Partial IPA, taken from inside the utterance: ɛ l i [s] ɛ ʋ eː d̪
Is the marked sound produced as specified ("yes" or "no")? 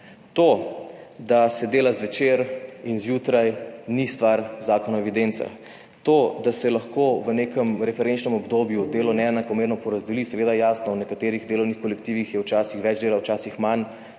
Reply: yes